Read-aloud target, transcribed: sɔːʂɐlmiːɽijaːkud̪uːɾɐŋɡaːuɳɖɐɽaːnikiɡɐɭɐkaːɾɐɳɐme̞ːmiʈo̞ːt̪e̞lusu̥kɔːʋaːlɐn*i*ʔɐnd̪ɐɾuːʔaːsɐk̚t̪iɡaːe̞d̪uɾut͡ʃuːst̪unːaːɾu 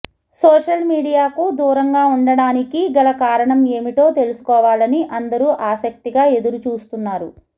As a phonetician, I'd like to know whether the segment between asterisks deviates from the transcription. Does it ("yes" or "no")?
no